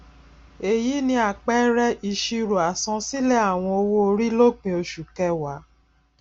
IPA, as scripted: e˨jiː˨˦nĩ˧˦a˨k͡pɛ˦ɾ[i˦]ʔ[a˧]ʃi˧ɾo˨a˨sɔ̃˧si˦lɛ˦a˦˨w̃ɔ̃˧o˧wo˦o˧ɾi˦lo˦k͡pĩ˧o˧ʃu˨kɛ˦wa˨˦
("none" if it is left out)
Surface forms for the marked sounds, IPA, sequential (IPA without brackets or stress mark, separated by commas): ɛ˦, i˧